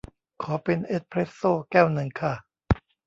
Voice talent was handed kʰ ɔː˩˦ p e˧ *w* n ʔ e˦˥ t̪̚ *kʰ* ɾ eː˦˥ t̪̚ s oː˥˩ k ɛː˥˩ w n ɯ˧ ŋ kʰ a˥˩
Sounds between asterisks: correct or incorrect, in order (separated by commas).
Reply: incorrect, incorrect